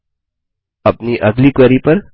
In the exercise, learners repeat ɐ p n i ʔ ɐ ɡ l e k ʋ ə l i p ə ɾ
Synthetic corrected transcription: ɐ p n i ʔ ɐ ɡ l i k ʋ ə ɾ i p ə ɾ